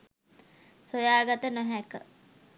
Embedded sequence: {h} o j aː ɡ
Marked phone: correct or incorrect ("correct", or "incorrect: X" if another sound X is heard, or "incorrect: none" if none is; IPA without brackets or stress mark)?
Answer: incorrect: s